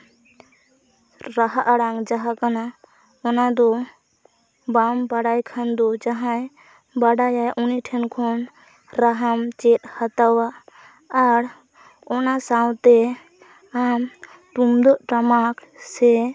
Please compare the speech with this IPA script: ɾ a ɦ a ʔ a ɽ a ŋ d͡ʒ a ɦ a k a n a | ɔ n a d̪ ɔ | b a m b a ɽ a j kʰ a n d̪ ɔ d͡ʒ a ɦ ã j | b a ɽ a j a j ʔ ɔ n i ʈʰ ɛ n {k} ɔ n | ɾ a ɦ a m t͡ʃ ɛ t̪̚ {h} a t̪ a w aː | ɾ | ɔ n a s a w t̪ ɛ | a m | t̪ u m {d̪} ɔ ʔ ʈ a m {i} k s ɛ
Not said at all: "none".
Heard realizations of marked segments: kʰ, h, d̪, a

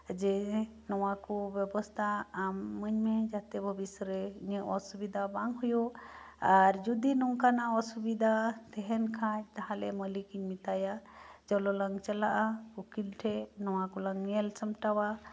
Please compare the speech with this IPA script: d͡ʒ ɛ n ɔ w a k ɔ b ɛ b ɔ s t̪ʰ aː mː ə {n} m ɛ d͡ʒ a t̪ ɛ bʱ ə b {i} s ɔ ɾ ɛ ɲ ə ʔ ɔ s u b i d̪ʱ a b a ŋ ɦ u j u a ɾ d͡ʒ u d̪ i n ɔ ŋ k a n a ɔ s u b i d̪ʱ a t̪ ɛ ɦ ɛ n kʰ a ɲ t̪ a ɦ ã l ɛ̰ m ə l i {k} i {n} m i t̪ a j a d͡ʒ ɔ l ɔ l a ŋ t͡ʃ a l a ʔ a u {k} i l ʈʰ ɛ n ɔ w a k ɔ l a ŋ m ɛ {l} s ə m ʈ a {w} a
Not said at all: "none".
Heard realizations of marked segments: ɲ, i, k, ɲ, k, l, w

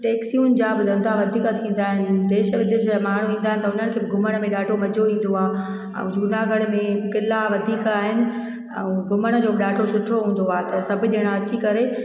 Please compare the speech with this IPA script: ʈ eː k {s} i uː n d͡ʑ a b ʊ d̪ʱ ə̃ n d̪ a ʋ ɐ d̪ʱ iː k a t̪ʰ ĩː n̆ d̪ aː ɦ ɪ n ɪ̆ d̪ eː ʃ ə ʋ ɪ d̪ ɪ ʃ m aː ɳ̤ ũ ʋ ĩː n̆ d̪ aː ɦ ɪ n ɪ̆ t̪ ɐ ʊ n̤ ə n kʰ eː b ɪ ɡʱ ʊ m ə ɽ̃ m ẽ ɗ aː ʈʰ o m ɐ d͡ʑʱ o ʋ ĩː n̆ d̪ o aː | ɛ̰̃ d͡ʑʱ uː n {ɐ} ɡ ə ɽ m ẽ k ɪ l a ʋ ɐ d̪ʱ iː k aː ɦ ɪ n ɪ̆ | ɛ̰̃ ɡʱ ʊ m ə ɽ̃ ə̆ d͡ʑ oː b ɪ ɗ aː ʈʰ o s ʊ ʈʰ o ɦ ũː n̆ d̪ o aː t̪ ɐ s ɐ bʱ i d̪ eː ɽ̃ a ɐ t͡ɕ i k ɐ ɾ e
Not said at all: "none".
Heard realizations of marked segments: s, a

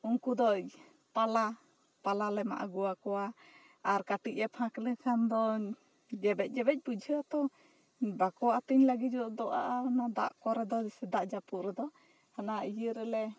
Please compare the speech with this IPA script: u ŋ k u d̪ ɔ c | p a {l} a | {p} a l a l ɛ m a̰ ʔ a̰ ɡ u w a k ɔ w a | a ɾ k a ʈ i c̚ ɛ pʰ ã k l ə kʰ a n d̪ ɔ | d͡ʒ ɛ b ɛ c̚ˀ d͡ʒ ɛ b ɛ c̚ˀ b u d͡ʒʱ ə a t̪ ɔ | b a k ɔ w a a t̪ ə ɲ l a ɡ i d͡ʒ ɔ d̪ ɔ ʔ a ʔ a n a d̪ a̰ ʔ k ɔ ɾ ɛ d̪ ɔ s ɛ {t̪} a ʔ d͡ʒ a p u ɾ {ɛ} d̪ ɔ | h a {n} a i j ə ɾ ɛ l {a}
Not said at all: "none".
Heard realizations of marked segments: l, p, d̪, ɛ, n, ɛ

